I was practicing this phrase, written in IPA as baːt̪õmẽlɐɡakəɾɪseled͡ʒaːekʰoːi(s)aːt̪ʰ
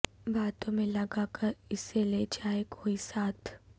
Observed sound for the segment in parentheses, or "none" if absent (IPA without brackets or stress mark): s